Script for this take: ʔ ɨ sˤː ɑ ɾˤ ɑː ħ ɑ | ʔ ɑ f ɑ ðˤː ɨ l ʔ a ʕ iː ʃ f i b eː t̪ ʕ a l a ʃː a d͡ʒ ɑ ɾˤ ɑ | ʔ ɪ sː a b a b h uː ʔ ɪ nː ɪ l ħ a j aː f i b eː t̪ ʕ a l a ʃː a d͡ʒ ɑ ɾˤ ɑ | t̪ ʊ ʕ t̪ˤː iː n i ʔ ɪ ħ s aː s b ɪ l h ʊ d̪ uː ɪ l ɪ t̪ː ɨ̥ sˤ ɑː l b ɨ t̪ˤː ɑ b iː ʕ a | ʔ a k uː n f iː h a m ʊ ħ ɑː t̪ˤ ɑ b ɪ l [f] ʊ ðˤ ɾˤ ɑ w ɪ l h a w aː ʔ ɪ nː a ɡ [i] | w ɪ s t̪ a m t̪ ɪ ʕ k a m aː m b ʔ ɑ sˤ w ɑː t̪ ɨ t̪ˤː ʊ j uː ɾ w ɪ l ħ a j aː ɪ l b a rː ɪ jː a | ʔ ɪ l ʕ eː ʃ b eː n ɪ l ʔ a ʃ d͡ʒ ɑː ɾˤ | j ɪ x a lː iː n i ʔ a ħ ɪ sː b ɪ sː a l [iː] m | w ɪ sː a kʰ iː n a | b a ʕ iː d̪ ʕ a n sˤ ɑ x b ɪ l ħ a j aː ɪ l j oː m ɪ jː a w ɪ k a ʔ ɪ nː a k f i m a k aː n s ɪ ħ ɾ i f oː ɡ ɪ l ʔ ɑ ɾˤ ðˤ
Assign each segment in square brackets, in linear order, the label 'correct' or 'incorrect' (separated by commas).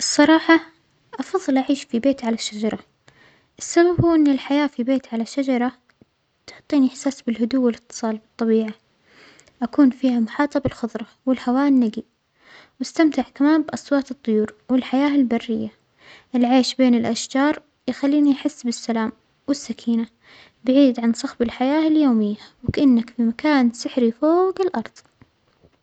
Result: incorrect, correct, incorrect